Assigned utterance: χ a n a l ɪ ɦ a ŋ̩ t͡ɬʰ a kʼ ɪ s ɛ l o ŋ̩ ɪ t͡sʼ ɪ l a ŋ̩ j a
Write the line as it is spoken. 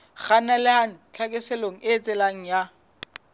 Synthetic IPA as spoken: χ a n a l ɪ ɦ a ŋ̩ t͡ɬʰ a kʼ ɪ s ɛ l o ŋ̩ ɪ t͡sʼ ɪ l a ŋ̩ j a

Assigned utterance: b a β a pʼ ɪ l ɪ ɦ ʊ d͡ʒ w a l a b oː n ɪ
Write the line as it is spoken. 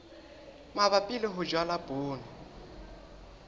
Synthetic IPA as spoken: m a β a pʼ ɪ l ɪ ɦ ʊ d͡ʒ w a l a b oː n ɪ

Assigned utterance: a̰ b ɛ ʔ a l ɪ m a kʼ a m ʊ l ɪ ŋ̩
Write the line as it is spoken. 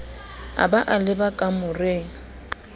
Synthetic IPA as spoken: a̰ b a ʔ a l ɪ b a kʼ a m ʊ r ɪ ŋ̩

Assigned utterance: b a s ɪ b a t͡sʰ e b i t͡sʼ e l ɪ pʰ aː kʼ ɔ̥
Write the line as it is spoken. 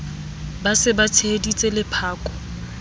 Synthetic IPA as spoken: b a s ɪ b a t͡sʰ e d i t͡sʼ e l ɪ pʰ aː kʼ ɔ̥

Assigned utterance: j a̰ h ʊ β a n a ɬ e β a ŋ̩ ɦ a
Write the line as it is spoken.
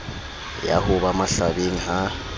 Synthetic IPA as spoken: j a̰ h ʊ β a m a ɬ a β e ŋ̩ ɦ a

